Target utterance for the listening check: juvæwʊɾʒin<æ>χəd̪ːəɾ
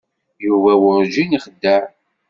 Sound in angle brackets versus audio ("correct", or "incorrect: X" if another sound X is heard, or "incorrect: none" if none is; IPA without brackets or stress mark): incorrect: i